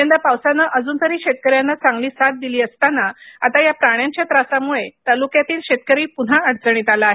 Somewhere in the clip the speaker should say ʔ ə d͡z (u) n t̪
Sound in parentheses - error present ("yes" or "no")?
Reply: yes